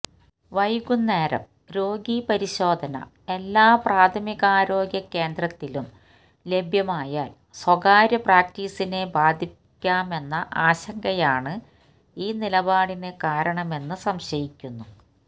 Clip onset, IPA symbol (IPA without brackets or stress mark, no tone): ʋ